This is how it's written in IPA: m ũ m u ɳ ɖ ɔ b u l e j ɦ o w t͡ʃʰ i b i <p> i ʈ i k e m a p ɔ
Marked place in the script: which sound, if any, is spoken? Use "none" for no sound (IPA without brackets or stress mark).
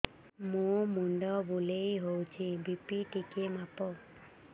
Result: p